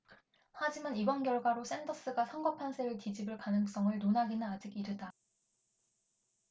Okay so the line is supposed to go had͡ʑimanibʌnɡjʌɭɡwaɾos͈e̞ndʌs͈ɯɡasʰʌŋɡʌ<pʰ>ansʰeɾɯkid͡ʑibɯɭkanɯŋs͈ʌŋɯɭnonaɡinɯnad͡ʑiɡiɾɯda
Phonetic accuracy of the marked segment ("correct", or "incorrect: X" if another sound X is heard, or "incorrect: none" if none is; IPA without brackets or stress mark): correct